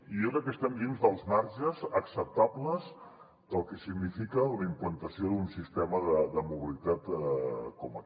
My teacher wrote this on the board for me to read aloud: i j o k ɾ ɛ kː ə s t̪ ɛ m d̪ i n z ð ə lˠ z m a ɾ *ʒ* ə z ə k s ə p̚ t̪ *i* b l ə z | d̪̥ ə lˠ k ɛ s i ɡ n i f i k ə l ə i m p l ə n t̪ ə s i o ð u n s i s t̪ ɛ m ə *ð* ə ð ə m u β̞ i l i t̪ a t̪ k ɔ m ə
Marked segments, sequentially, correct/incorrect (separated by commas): correct, incorrect, correct